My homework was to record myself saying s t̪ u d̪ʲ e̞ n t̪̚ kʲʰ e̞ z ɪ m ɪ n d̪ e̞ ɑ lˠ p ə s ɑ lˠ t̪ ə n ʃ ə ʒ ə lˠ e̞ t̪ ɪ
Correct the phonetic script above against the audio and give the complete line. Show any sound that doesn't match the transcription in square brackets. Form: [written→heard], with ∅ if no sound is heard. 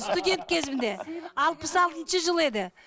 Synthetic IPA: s t̪ u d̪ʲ e̞ n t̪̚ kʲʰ e̞ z ɪ m ɪ n d̪ e̞ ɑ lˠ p ə s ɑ lˠ t̪ ə n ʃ ə ʒ ə lˠ e̞ [t̪→d̪] ɪ

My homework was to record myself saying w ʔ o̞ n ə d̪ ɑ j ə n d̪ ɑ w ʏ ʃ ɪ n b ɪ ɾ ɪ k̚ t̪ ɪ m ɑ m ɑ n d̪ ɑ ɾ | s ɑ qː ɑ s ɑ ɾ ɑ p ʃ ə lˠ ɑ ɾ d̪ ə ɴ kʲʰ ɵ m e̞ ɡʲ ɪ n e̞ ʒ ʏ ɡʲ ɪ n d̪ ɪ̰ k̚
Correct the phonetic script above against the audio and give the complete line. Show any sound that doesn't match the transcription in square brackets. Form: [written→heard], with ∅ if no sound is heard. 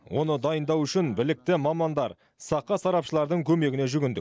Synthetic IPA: w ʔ o̞ n ə d̪ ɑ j ə n d̪ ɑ w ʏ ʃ ɪ n b ɪ [ɾ→l] ɪ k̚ t̪ ɪ m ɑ m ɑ n d̪ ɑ ɾ | s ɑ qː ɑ s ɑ ɾ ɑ p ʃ ə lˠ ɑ ɾ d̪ ə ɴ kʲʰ ɵ m e̞ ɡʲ ɪ n e̞ ʒ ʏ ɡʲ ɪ n d̪ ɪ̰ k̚

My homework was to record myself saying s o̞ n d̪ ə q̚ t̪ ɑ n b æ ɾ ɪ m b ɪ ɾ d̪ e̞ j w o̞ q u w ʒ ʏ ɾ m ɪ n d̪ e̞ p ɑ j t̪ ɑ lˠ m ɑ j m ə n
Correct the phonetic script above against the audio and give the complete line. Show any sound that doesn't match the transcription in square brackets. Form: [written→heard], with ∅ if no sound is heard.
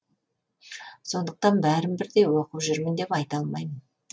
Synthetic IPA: s o̞ n d̪ ə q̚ t̪ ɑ n b æ ɾ ɪ m b ɪ ɾ d̪ e̞ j w o̞ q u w ʒ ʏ ɾ m ɪ n d̪ e̞ p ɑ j t̪ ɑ lˠ m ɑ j m ə n

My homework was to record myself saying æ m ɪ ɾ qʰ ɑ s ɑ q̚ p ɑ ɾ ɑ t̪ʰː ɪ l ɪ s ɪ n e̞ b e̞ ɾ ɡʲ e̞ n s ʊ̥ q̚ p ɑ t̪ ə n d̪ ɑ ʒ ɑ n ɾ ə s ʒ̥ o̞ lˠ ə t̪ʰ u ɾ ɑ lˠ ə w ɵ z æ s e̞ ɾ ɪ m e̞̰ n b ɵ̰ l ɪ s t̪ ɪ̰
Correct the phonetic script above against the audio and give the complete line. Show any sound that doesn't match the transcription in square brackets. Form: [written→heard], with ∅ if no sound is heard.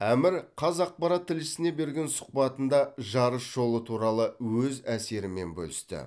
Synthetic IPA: æ m ɪ ɾ qʰ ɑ [s→z] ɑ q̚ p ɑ ɾ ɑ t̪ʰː ɪ l ɪ s ɪ n e̞ b e̞ ɾ ɡʲ e̞ n s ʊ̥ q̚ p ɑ t̪ ə n d̪ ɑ ʒ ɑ [n→∅] ɾ ə s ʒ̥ o̞ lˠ ə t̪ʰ u ɾ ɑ lˠ ə w ɵ z æ s e̞ ɾ ɪ m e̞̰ n b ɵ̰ l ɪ s t̪ ɪ̰

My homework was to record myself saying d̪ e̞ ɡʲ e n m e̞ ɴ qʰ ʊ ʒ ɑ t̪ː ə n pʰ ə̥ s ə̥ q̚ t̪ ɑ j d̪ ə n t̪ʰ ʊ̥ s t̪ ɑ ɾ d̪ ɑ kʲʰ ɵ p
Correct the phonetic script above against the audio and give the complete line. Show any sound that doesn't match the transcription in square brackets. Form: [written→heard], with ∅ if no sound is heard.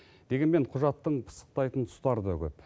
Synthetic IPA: d̪ e̞ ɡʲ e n m e̞ ɴ qʰ ʊ ʒ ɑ t̪ː ə [n→ɴ] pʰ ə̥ s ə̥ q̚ t̪ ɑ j [d̪→t̪] ə n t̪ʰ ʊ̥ s t̪ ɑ ɾ d̪ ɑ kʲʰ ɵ p

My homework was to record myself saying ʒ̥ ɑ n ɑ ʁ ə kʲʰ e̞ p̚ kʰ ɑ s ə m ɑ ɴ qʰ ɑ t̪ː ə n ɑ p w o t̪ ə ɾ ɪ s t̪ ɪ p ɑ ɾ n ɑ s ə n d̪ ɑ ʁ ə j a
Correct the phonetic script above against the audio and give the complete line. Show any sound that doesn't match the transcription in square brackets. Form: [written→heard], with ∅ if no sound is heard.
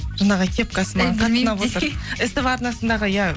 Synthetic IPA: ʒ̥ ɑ n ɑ ʁ ə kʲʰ e̞ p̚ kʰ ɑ s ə m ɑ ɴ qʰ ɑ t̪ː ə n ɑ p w o t̪ ə ɾ ɪ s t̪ ɪ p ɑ ɾ n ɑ s ə n d̪ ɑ ʁ ə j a

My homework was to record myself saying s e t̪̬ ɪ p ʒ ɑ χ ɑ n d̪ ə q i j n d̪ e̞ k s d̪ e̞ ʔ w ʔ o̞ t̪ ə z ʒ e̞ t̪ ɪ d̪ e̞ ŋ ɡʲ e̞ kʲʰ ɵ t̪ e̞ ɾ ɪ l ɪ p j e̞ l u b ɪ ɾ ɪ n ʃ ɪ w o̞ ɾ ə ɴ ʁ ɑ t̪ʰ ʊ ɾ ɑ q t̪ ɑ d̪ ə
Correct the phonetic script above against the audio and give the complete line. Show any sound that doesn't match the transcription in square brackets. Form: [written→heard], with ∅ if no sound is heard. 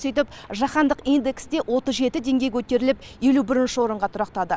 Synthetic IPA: s e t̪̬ ɪ p ʒ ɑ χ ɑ n d̪ ə q i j n d̪ e̞ k s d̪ e̞ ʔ w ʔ o̞ t̪ ə z ʒ e̞ t̪ ɪ d̪ e̞ ŋ ɡʲ e̞ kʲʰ ɵ t̪ e̞ ɾ ɪ l ɪ p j e̞ l u b ɪ ɾ ɪ n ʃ ɪ w o̞ ɾ ə ɴ ʁ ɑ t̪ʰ ʊ ɾ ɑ q t̪ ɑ d̪ ə

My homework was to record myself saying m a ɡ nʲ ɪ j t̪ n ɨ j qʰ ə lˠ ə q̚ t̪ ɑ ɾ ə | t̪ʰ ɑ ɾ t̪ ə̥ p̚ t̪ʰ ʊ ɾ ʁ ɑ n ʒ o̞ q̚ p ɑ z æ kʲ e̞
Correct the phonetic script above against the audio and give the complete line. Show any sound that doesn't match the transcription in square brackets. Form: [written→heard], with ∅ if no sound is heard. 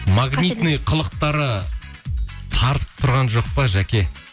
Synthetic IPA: m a ɡ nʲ [ɪ→i] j t̪ n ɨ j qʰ ə lˠ ə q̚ t̪ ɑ ɾ ə | t̪ʰ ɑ ɾ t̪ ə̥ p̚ t̪ʰ ʊ ɾ ʁ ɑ n ʒ o̞ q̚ p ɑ [z→ʒ] æ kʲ e̞

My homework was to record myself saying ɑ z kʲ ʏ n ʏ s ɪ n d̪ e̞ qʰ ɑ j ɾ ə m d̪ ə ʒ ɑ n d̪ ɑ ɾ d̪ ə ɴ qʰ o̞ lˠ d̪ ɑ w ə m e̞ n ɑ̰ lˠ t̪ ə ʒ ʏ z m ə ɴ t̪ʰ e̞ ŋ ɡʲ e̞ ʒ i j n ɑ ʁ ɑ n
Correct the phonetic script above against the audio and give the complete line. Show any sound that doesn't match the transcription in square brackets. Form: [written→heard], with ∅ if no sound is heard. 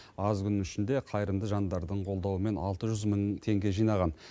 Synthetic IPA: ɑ z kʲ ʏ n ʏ [s→ʃ] ɪ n d̪ e̞ qʰ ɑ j ɾ ə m d̪ ə ʒ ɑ n d̪ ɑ ɾ d̪ ə ɴ qʰ o̞ lˠ d̪ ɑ w ə m e̞ n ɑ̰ lˠ t̪ ə ʒ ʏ z m ə ɴ t̪ʰ e̞ ŋ ɡʲ e̞ ʒ i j n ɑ ʁ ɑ n

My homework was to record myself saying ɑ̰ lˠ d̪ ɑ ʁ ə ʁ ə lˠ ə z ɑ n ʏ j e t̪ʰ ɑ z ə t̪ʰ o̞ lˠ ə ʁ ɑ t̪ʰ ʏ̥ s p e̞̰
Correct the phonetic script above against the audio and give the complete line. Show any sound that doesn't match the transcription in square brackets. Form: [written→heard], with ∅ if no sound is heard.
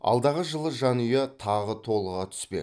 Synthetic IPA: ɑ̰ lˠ d̪ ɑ ʁ ə [ʁ→ʒ] ə lˠ ə [z→ʒ] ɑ n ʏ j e t̪ʰ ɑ [z→ʁ] ə t̪ʰ o̞ lˠ ə ʁ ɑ t̪ʰ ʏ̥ s p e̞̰

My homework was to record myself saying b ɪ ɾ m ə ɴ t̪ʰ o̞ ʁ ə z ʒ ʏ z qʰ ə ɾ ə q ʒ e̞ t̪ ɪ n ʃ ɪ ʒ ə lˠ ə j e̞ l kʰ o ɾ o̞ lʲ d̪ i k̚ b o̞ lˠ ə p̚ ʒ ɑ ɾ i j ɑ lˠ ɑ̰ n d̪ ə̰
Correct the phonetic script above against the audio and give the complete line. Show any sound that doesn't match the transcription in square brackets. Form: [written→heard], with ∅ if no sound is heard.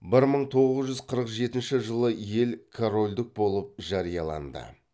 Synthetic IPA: b ɪ ɾ m ə ɴ t̪ʰ o̞ ʁ ə z ʒ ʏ z qʰ ə ɾ ə q ʒ e̞ t̪ ɪ n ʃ ɪ ʒ ə lˠ ə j e̞ l kʰ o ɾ o̞ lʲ d̪ [i→ɪ] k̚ b o̞ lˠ ə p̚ ʒ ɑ ɾ i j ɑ lˠ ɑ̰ n d̪ ə̰

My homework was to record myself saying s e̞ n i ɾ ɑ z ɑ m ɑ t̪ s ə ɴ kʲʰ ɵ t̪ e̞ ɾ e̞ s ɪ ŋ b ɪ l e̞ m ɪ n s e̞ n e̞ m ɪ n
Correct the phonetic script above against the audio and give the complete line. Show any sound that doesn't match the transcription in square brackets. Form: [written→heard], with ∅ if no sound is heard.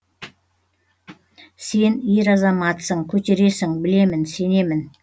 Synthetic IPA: s e̞ n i ɾ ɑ z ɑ m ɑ t̪ s ə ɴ kʲʰ ɵ t̪ e̞ ɾ e̞ s ɪ ŋ b ɪ l e̞ m ɪ n s e̞ n e̞ m ɪ n

